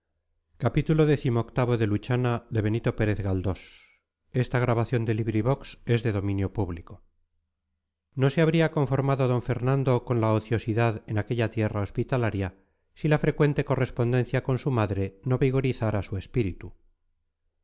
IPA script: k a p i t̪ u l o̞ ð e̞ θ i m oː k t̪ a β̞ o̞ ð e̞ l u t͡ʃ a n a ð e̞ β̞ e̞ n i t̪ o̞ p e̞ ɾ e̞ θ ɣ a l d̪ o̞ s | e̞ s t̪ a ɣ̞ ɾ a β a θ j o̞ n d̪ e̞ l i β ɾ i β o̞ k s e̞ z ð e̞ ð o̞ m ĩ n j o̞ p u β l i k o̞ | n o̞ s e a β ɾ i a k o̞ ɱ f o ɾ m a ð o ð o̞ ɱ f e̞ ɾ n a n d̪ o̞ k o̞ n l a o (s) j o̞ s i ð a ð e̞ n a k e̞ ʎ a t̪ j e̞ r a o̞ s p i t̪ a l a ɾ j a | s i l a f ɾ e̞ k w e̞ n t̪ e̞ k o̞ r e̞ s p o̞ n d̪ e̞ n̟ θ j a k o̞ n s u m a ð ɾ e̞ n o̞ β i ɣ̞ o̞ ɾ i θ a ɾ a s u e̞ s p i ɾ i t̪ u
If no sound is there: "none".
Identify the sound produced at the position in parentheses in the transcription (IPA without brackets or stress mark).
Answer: θ